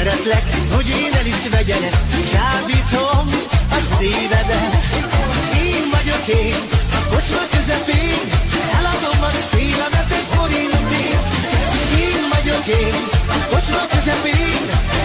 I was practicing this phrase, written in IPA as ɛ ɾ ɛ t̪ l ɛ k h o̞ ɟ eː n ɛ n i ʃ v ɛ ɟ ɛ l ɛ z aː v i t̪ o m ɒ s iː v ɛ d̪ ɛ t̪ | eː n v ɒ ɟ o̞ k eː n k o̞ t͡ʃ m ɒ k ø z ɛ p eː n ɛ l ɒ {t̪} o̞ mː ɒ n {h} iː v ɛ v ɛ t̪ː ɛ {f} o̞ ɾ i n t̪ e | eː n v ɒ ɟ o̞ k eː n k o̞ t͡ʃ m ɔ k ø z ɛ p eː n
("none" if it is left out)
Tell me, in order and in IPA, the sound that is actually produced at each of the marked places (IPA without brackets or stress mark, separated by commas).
d̪, s, f